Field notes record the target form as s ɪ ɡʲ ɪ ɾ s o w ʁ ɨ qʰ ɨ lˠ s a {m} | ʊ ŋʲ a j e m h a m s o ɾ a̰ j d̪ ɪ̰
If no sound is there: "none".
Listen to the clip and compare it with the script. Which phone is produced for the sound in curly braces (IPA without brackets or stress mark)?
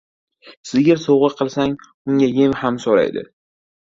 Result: ŋ